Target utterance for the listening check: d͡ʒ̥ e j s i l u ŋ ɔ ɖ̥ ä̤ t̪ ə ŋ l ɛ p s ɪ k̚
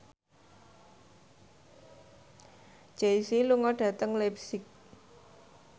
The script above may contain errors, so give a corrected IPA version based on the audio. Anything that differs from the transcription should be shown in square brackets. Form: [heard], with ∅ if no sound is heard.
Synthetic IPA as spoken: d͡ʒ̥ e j s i l u ŋ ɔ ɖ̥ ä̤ t̪ ə ŋ l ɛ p s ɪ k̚